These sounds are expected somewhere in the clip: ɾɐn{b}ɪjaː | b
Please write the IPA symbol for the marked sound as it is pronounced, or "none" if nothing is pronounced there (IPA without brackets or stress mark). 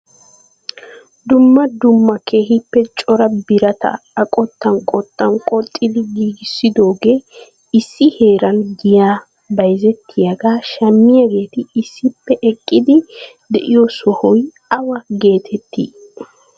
ɡ